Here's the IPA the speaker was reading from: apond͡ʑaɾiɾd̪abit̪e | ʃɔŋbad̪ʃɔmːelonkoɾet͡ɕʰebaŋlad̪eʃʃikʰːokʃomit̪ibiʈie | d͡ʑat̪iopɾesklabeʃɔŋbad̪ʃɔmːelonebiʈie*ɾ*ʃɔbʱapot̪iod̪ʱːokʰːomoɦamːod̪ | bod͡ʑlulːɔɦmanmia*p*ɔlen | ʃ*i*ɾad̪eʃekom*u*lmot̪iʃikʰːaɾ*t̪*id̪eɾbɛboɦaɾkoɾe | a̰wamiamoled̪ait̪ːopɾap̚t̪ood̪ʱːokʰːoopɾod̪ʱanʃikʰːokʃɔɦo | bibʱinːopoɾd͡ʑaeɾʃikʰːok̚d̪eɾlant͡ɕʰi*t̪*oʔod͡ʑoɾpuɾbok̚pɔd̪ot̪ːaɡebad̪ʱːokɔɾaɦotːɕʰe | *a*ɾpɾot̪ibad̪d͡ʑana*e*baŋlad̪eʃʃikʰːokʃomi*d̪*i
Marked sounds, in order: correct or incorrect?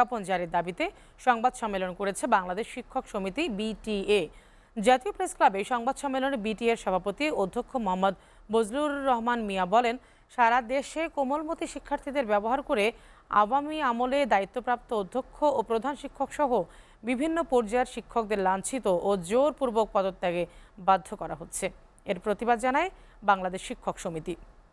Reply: correct, incorrect, incorrect, incorrect, incorrect, correct, incorrect, correct, incorrect

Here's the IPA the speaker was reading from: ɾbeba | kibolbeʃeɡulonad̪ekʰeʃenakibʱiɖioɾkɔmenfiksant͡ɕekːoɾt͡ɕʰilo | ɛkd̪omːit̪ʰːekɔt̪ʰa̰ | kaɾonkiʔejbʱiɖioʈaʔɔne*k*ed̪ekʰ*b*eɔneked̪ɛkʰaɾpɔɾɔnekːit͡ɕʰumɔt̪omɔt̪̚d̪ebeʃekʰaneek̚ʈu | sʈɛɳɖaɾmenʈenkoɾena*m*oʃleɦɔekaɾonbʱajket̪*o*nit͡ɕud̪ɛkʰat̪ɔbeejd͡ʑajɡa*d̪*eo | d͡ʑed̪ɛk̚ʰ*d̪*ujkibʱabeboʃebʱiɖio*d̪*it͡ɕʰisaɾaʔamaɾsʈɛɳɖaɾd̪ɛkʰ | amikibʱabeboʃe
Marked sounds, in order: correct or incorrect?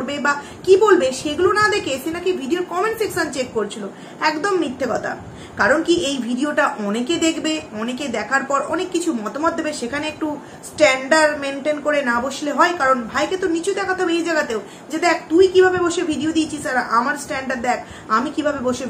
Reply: correct, correct, incorrect, correct, incorrect, incorrect, correct

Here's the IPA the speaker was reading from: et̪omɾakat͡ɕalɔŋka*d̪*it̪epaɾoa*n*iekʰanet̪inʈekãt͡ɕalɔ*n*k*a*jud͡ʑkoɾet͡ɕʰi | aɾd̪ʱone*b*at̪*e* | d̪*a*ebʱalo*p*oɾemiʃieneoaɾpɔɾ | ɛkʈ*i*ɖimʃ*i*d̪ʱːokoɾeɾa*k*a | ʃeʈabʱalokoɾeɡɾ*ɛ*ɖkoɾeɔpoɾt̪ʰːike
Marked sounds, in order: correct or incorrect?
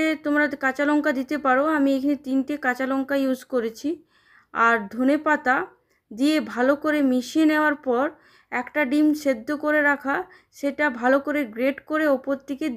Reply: correct, incorrect, incorrect, correct, incorrect, incorrect, incorrect, incorrect, incorrect, incorrect, incorrect, incorrect

